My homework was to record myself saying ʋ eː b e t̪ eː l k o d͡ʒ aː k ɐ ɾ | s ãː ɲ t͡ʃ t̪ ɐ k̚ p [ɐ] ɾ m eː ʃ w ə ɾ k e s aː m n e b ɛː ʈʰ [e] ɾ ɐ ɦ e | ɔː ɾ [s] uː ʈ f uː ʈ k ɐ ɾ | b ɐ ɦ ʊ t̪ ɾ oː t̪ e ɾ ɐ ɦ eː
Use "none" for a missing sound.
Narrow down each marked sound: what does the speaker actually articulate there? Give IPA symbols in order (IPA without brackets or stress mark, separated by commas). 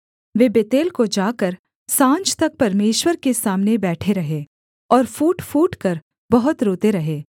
ɐ, e, f